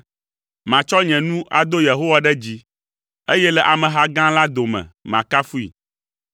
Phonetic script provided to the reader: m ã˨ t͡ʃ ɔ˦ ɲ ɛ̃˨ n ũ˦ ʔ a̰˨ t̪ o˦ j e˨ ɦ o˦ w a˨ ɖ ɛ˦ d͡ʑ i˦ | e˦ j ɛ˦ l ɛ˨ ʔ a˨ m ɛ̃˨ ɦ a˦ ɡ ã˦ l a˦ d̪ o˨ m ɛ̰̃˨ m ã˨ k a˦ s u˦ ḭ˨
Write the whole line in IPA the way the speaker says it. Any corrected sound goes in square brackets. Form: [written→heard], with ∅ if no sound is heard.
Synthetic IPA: m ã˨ t͡ʃ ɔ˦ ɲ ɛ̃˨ n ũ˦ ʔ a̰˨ [t̪→d̪] o˦ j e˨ ɦ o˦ w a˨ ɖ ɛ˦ d͡ʑ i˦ | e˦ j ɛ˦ l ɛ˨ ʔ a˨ m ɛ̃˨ ɦ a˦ ɡ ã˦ l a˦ d̪ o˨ m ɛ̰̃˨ m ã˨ k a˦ [s→f] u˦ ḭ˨

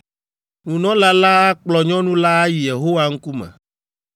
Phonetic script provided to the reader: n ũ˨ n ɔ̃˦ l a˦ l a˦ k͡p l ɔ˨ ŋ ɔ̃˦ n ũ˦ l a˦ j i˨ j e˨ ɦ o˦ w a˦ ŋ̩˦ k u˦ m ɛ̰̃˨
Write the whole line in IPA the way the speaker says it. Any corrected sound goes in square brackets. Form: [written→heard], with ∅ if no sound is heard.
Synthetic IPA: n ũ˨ n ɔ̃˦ l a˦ l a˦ k͡p l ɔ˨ [ŋ→ɲ] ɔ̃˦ n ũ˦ l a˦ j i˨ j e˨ ɦ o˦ w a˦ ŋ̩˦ k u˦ m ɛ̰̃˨

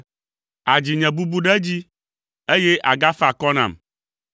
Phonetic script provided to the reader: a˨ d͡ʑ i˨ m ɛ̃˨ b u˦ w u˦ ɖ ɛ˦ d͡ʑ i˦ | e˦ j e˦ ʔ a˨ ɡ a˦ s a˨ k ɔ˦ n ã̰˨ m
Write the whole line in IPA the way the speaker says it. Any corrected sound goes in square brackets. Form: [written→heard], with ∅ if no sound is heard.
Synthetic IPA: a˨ d͡ʑ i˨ [m→ɲ] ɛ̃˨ b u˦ [w→b] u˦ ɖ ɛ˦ d͡ʑ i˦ | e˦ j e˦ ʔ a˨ ɡ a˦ [s→f] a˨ k ɔ˦ n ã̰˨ m

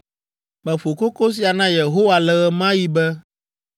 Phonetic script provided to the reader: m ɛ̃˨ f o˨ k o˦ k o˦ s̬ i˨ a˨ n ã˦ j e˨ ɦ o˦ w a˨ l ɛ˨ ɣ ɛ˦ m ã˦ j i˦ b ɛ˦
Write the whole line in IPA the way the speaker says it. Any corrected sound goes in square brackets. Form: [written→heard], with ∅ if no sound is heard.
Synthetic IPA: m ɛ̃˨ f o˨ k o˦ k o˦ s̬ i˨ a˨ n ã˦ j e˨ ɦ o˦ w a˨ l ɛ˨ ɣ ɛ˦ m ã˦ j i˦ b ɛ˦

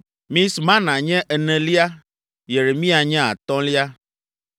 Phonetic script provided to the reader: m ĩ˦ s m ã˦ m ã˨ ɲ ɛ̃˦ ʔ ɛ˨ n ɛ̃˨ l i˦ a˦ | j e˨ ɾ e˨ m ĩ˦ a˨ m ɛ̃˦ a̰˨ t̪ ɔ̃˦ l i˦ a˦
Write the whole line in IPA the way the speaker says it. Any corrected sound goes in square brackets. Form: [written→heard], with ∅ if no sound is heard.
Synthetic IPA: m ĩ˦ s m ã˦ [m→n] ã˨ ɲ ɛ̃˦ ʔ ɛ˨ n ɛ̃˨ l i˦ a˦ | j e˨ ɾ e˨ m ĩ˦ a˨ [m→ɲ] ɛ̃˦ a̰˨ t̪ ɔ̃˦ l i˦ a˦

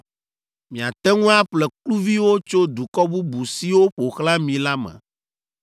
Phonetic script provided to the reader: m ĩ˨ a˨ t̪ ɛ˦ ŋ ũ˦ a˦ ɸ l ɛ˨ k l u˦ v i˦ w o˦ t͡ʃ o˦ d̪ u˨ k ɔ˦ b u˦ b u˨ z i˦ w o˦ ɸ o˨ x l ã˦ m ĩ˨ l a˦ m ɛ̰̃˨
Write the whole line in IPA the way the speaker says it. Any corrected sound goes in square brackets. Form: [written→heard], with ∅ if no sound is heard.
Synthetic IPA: m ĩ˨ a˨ t̪ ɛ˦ ŋ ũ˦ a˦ ɸ l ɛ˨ k l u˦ v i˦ w o˦ t͡ʃ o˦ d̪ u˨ k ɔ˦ b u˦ b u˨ [z→s] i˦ w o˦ ɸ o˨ x l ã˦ m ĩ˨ l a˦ m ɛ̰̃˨

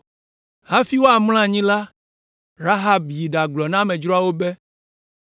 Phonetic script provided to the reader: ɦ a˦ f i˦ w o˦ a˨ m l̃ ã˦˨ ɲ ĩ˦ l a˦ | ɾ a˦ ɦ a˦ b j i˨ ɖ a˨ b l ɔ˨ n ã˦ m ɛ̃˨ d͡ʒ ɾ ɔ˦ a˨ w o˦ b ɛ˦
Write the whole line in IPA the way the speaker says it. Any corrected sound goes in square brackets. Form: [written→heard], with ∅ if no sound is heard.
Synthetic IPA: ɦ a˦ f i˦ w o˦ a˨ m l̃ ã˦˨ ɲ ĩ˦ l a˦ | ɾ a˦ ɦ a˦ b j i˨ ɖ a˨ [b→ɡ͡b] l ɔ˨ n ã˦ m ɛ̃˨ d͡ʒ ɾ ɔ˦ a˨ w o˦ b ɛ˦

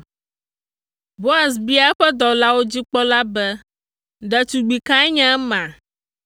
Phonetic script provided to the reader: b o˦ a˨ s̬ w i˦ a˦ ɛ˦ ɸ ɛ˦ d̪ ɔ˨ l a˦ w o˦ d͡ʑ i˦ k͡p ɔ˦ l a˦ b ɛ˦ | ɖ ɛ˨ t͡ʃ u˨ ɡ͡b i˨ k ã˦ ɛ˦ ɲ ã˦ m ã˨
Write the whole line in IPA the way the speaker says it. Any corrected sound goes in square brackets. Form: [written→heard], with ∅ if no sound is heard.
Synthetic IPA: b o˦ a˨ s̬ [w→b] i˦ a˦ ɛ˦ ɸ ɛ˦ d̪ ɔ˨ l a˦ w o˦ d͡ʑ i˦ k͡p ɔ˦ l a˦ b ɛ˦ | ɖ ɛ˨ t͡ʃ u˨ ɡ͡b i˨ k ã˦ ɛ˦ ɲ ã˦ m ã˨

